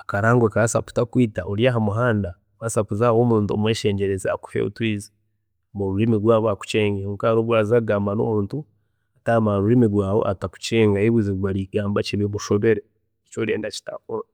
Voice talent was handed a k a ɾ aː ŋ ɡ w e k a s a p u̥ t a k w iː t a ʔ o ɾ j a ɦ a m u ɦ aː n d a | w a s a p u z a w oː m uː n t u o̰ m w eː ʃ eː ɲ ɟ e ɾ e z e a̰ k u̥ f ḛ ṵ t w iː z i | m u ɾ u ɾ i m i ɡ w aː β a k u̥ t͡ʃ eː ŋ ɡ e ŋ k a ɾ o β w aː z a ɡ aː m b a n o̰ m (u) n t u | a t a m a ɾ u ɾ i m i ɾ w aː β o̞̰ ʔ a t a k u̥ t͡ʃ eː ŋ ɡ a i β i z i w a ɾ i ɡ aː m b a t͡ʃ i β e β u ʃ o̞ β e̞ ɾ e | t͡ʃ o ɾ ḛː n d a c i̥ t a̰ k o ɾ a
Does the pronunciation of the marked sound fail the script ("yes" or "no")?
yes